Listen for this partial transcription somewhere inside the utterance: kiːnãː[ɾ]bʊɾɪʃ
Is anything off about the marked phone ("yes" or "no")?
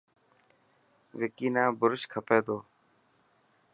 yes